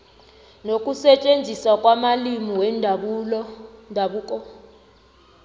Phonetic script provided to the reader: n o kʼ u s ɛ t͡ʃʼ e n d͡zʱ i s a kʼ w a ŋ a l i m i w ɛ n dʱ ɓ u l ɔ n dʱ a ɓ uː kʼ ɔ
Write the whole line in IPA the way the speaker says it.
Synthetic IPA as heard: n o kʼ u s ɛ t͡ʃʼ e n d͡zʱ i s a kʼ w a m a l i m i w ɛ n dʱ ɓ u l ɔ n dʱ a ɓ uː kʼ ɔ